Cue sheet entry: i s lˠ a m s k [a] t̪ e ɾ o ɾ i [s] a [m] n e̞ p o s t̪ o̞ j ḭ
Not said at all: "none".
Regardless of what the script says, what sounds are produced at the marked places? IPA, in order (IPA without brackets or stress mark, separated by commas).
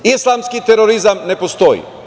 i, z, m